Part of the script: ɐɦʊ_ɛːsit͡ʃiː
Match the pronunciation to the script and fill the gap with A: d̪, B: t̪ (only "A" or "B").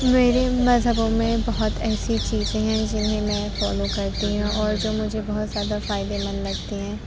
B